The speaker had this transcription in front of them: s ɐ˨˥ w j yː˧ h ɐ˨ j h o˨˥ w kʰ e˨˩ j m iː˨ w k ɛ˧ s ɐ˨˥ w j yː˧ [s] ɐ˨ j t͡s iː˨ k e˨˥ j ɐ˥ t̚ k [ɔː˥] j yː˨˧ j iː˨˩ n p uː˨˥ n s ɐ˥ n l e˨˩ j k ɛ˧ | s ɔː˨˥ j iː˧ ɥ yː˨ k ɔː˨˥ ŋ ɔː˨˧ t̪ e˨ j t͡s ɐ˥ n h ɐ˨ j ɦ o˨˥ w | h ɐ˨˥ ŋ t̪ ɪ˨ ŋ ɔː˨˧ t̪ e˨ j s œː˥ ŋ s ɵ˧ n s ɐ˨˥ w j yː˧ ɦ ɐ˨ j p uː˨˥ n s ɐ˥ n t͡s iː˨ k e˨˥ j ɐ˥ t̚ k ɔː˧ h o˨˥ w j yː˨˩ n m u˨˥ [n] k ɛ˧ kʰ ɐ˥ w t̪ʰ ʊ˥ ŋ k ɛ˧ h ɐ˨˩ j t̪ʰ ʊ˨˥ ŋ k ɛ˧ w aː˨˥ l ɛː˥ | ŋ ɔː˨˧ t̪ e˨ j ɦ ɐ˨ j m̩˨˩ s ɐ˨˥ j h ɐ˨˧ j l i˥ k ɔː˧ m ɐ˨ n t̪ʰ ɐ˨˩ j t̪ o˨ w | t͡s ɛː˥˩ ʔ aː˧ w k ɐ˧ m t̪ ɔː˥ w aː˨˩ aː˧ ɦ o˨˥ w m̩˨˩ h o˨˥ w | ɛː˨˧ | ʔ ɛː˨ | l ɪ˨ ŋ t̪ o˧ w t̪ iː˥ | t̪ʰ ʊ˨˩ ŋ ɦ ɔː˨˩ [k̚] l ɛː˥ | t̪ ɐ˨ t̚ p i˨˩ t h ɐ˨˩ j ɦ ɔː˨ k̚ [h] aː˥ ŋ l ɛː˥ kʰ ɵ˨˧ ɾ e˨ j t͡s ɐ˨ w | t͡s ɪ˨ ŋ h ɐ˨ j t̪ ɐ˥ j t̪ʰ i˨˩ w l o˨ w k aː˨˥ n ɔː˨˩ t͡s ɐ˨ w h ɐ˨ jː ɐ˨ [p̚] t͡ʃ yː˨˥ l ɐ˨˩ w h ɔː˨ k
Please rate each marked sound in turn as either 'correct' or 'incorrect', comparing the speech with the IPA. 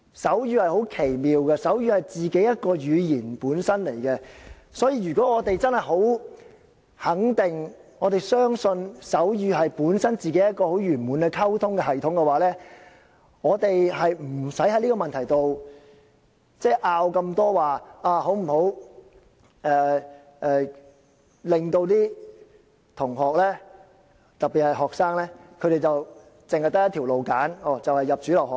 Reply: incorrect, incorrect, correct, correct, incorrect, correct

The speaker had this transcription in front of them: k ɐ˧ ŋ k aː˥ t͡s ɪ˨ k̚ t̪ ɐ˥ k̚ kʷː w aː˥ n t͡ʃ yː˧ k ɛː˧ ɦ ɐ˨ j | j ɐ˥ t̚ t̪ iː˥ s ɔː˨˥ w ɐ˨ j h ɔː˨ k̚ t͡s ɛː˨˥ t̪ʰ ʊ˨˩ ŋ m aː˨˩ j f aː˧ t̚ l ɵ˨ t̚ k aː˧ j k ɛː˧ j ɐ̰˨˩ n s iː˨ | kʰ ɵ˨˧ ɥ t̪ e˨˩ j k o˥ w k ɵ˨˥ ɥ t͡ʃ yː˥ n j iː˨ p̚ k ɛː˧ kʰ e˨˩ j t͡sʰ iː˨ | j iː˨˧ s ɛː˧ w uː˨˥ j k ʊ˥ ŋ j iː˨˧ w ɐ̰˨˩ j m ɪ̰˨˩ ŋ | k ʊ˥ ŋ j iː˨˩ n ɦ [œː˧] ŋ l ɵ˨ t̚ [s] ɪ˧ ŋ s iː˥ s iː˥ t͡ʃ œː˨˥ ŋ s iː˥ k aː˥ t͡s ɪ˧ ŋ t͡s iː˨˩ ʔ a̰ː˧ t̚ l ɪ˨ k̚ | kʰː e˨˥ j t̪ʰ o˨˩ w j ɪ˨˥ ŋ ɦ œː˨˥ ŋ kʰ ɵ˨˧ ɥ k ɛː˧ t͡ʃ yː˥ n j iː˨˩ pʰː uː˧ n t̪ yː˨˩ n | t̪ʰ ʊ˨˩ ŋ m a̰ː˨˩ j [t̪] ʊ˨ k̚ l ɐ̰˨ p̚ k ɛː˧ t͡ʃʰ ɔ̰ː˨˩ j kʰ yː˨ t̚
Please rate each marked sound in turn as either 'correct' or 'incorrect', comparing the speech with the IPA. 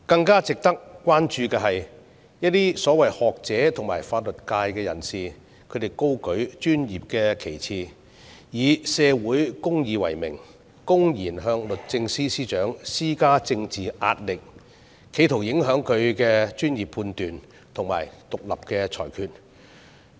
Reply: correct, incorrect, correct

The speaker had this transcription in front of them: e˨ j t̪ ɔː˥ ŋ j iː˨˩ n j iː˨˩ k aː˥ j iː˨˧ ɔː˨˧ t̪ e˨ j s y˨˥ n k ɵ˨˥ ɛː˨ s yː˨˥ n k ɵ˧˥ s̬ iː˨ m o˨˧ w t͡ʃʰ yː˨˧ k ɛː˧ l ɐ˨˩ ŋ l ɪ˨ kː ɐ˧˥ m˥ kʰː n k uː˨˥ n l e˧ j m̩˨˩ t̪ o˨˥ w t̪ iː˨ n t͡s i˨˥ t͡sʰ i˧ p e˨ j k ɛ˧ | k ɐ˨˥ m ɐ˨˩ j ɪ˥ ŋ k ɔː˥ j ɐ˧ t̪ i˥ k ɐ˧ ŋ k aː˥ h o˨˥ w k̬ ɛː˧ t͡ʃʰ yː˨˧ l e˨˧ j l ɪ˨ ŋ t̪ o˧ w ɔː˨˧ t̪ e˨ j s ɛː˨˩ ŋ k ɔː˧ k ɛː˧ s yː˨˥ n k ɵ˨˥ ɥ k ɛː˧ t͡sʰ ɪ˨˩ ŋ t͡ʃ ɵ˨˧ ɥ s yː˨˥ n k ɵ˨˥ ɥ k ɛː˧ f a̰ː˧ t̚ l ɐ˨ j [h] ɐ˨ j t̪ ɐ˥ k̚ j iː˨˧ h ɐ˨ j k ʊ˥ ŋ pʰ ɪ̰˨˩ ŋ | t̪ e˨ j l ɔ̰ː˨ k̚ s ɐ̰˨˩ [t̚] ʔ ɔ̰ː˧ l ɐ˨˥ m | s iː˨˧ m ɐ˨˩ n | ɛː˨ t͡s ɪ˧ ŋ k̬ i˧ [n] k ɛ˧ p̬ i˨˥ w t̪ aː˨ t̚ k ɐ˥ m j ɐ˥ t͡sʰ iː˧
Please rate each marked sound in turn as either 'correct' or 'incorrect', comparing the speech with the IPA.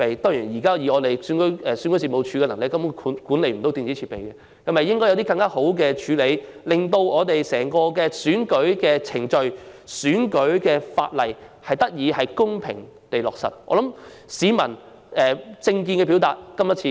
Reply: correct, correct, correct

